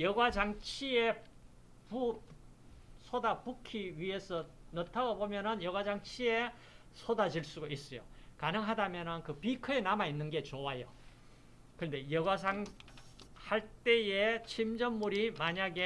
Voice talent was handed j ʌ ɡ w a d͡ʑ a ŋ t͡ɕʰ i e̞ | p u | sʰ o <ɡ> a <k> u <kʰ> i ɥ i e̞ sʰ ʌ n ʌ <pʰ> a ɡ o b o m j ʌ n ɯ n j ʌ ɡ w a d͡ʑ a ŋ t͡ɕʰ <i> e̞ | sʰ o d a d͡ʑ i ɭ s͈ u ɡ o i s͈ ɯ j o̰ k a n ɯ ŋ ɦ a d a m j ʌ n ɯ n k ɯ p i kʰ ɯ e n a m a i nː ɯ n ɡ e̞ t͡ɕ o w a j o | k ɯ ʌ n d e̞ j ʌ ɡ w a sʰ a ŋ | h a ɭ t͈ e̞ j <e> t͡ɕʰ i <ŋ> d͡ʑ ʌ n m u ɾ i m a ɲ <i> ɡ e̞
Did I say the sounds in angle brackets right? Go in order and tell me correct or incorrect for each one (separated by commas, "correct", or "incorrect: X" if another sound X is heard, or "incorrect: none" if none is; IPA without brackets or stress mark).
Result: incorrect: d, incorrect: p, correct, incorrect: tʰ, correct, correct, incorrect: m, incorrect: a